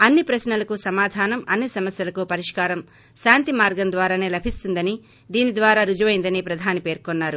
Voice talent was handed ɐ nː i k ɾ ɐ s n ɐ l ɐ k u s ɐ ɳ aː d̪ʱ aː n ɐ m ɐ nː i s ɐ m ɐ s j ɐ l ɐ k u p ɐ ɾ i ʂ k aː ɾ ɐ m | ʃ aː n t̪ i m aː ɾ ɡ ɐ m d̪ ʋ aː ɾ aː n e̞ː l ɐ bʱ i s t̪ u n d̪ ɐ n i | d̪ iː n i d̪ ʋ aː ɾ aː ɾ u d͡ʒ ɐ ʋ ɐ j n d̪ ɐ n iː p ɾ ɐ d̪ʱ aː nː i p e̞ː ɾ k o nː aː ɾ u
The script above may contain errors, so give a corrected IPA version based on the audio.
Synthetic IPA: ɐ nː i p ɾ ɐ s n ɐ l ɐ k u s ɐ m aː d̪ʱ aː n ɐ m ɐ nː i s ɐ m ɐ s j ɐ l ɐ k u p ɐ ɾ i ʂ k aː ɾ ɐ m | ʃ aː n t̪ i m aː ɾ ɡ ɐ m d̪ ʋ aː ɾ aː n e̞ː l ɐ bʱ i s t̪ u n d̪ ɐ n i | d̪ iː n i d̪ ʋ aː ɾ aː ɾ u d͡ʒ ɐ ʋ ɐ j n d̪ ɐ n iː p ɾ ɐ d̪ʱ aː n i p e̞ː ɾ k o nː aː ɾ u

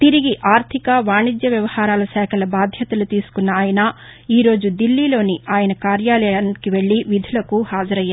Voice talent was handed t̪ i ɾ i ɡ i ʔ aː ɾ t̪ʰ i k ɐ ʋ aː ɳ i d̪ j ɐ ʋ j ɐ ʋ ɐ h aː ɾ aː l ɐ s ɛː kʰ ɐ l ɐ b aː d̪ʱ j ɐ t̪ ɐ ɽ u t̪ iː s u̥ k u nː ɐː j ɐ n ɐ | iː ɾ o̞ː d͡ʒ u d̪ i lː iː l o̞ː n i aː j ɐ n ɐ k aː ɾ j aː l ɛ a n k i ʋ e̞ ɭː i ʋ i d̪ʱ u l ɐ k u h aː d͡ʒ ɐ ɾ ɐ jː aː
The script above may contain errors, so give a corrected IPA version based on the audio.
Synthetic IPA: t̪ i ɾ i ɡ i ʔ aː ɾ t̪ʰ i k ɐ ʋ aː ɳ i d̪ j ɐ ʋ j ɐ ʋ ɐ h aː ɾ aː l ɐ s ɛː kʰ ɐ l ɐ b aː d̪ʱ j ɐ t̪ ɐ l u t̪ iː s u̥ k u nː ɐː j ɐ n ɐ | iː ɾ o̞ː d͡ʒ u d̪ i lː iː l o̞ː n i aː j ɐ n ɐ k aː ɾ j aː l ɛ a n k i ʋ e̞ ɭː i ʋ i d̪ʱ u l ɐ k u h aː d͡ʒ ɐ ɾ ɐ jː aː

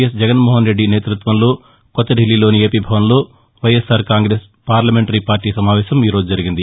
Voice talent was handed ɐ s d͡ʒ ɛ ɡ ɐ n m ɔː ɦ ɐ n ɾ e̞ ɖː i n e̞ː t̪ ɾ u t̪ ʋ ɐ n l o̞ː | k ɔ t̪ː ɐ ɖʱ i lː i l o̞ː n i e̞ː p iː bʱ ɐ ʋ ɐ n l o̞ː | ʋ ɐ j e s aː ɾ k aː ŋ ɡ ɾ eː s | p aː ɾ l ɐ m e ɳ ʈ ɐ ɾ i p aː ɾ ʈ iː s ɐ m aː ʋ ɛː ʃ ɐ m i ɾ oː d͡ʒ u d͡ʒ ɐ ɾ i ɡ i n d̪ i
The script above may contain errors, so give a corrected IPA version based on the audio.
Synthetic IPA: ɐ s d͡ʒ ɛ ɡ ɐ n m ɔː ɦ ɐ n ɾ e̞ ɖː i n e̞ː t̪ ɾ u t̪ ʋ ɐ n l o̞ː | k ɔ t̪ː ɐ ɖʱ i lː i l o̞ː n i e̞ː p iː bʱ ɐ ʋ ɐ n l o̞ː | ʋ ɐ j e s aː ɾ k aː ŋ ɡ ɾ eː s | p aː ɾ l ɐ m e ɳ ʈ ɐ ɾ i p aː ɾ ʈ iː s ɐ m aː ʋ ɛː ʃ ɐ m iː ɾ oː d͡ʒ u d͡ʒ ɐ ɾ i ɡ i n d̪ i

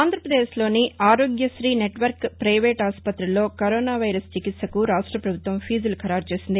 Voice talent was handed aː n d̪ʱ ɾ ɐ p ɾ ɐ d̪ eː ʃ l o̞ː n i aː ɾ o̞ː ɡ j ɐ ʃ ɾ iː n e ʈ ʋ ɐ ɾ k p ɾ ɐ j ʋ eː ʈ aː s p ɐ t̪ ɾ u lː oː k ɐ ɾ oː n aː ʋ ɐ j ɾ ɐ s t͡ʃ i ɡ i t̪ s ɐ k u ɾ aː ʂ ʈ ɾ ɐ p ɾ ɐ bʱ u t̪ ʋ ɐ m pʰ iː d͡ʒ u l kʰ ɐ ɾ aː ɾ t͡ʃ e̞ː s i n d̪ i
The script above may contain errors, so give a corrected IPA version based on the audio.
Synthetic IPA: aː n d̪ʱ ɾ ɐ p ɾ ɐ d̪ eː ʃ l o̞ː n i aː ɾ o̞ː ɡ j ɐ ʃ ɾ iː n e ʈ ʋ ɐ ɾ k p ɾ ɐ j ʋ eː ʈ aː s p ɐ t̪ ɾ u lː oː k ɐ ɾ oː n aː ʋ ɐ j ɾ ɐ s t͡ʃ i k i t̪ s ɐ k u ɾ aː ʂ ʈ ɾ ɐ p ɾ ɐ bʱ u t̪ ʋ ɐ m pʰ iː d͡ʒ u l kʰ ɐ ɾ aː ɾ t͡ʃ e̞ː s i n d̪ i

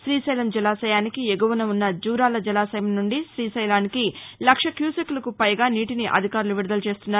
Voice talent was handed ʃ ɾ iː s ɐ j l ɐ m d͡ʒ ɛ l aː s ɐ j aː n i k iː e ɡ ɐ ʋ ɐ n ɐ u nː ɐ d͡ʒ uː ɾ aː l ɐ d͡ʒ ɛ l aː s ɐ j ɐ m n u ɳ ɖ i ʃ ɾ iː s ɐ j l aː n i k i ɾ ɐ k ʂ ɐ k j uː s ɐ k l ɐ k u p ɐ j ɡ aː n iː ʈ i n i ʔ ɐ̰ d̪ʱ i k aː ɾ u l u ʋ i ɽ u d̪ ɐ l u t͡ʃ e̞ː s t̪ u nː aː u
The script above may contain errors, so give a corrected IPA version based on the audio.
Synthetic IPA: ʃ ɾ iː s ɐ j l ɐ m d͡ʒ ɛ l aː s ɐ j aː n i k i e ɡ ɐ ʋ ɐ n ɐ u nː ɐ d͡ʒ uː ɾ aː l ɐ d͡ʒ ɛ l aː s ɐ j ɐ m n u ɳ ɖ i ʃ ɾ iː s ɐ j l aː n i k i l ɐ k ʂ ɐ k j uː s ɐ k l ɐ k u p ɐ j ɡ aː n iː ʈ i n i ʔ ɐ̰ d̪ʱ i k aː ɾ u l u ʋ i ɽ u d̪ ɐ l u t͡ʃ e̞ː s t̪ u nː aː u

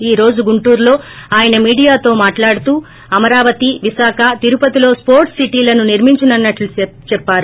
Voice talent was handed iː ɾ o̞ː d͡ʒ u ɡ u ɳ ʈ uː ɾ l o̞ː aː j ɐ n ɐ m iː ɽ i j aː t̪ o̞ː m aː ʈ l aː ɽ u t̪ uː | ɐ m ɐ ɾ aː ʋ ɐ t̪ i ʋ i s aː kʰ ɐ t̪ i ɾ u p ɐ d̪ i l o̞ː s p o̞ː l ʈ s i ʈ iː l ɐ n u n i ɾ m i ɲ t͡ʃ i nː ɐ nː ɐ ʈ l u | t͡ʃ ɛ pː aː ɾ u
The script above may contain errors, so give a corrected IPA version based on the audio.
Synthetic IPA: iː ɾ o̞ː d͡ʒ u ɡ u ɳ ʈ uː ɾ l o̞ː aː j ɐ n ɐ m iː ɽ i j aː t̪ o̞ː m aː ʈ l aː ɽ u t̪ uː | ɐ m ɐ ɾ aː ʋ ɐ t̪ i ʋ i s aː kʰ ɐ t̪ i ɾ u p ɐ t̪ i l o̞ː s p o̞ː ɾ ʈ s i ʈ iː l ɐ n u n i ɾ m i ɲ t͡ʃ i n ɐ nː ɐ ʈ l u | t͡ʃ ɛ pː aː ɾ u

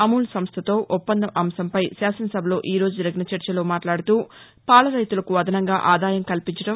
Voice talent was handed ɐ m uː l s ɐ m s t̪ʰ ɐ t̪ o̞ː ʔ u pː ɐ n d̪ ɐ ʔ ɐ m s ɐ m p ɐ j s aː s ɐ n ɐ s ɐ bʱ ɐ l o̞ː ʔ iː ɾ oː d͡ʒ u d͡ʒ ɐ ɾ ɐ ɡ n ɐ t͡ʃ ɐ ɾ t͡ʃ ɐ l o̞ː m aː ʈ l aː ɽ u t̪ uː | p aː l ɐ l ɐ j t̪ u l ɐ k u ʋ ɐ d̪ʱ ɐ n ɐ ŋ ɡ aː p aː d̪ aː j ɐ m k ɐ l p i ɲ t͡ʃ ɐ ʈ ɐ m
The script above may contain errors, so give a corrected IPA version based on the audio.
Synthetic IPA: ɐ m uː l s ɐ m s t̪ʰ ɐ t̪ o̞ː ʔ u pː ɐ n d̪ ɐ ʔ ɐ m s ɐ m p ɐ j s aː s ɐ n ɐ s ɐ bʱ ɐ l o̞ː ʔ iː ɾ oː d͡ʒ u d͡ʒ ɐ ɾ ɐ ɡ n ɐ t͡ʃ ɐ ɾ t͡ʃ ɐ l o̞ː m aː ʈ l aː ɽ u t̪ uː | p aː l ɐ ɾ ɐ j t̪ u l ɐ k u ʋ ɐ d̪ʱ ɐ n ɐ ŋ ɡ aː ʔ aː d̪ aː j ɐ m k ɐ l p i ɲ t͡ʃ ɐ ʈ ɐ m

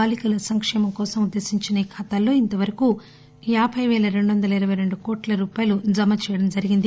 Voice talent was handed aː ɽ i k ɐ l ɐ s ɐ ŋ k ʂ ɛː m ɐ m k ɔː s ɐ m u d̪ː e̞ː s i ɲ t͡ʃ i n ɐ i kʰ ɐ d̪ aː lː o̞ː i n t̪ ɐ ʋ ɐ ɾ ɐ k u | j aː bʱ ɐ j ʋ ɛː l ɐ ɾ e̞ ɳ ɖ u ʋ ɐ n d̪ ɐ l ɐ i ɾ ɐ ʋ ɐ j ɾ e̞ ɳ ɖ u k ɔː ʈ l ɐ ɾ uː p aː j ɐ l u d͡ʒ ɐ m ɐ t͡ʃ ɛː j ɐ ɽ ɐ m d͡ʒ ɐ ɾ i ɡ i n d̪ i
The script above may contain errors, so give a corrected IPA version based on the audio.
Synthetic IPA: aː l i k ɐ l ɐ s ɐ ŋ k ʂ ɛː m ɐ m k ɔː s ɐ m u d̪ː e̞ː s i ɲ t͡ʃ i n ɐ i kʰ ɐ t̪ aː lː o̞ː i n t̪ ɐ ʋ ɐ ɾ ɐ k u | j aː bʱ ɐ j ʋ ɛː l ɐ ɾ e̞ ɳ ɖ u ʋ ɐ n d̪ ɐ l ɐ i ɾ ɐ ʋ ɐ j ɾ e̞ ɳ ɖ u k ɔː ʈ l ɐ ɾ uː p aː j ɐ l u d͡ʒ ɐ m ɐ t͡ʃ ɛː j ɐ ɽ ɐ m d͡ʒ ɐ ɾ i ɡ i n d̪ i

